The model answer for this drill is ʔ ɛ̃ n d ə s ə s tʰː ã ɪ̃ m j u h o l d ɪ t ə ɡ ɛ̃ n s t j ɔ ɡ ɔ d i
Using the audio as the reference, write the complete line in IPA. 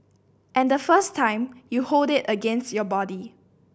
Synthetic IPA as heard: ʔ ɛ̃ n d ə f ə s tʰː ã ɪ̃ m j u h o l d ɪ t ə ɡ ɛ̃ n s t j ɔ b ɔ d i